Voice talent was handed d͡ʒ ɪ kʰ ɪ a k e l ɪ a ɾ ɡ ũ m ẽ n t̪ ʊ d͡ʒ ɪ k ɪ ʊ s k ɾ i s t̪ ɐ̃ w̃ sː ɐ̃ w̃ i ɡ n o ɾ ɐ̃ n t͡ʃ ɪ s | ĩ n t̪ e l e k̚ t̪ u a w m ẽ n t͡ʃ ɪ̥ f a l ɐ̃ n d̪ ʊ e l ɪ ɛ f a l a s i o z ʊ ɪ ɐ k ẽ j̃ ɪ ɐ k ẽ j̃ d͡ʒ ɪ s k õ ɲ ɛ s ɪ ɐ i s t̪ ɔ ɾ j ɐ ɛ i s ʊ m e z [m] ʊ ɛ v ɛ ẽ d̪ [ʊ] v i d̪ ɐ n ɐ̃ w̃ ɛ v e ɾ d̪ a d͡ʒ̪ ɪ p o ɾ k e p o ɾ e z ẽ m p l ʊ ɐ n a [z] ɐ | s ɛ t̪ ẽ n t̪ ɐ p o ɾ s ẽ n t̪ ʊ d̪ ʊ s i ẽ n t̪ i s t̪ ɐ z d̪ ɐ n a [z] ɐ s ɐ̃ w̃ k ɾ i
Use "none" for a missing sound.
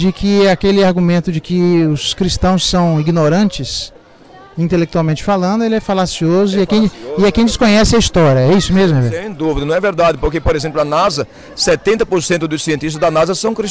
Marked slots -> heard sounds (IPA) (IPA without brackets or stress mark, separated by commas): m, u, z, z